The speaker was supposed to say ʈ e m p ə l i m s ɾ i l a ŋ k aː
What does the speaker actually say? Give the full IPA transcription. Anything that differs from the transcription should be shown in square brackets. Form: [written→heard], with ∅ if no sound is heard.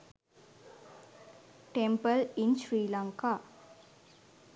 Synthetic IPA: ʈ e m p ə l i [m→n] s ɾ [i→iː] l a ŋ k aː